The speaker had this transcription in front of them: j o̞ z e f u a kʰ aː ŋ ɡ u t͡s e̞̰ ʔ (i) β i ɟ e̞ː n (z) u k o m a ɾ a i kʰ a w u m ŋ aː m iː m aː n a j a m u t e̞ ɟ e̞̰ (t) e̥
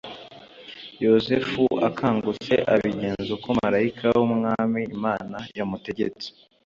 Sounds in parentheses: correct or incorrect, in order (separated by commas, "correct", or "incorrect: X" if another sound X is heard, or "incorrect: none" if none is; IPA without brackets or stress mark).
incorrect: a, correct, incorrect: t͡s